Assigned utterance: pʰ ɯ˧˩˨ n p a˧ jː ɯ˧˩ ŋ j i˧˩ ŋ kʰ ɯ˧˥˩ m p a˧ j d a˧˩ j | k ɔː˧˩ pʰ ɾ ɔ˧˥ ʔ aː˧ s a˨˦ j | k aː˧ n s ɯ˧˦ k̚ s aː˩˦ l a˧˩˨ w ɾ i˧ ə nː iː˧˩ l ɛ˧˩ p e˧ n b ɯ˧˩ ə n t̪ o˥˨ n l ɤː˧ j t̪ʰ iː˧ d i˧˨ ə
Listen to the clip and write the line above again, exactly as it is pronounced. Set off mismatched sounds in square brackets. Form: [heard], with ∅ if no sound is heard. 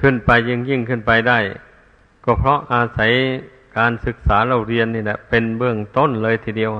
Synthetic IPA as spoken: [kʰ] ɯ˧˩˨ n p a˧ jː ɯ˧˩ ŋ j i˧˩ ŋ kʰ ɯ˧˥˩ [n] p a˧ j d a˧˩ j | k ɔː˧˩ pʰ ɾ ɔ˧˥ ʔ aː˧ s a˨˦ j | k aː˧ n s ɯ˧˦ k̚ s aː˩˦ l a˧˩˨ w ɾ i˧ ə nː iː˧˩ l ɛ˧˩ p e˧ n b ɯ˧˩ ə [ŋ] t̪ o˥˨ n l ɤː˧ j t̪ʰ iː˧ d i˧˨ ə